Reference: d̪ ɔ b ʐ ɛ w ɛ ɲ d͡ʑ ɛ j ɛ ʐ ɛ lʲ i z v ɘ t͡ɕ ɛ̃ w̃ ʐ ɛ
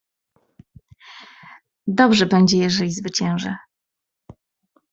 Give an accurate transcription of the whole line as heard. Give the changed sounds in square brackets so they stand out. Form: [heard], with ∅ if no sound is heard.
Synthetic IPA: d̪ ɔ b ʐ ɛ [b] ɛ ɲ d͡ʑ ɛ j ɛ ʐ ɛ lʲ i z v ɘ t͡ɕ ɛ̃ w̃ ʐ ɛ